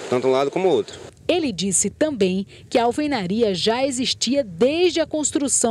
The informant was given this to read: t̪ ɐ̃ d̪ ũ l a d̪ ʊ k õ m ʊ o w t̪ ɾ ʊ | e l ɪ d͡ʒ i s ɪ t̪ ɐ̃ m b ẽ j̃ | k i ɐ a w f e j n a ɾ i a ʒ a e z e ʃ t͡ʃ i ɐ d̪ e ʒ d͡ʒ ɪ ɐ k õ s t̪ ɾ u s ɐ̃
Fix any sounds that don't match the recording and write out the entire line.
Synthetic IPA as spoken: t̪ ɐ̃ t̪ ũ l a d̪ ʊ k õ m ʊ o w t̪ ɾ ʊ | e l ɪ d͡ʒ i s ɪ t̪ ɐ̃ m b ẽ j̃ | k ɪ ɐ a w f e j n a ɾ i ɐ ʒ a e z i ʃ t͡ʃ i ɐ d̪ e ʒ d͡ʒ ɪ ɐ k õ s t̪ ɾ u s ɐ̃